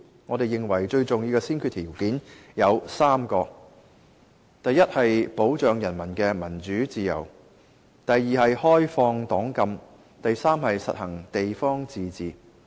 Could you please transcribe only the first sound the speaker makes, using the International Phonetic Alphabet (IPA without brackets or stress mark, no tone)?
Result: ŋ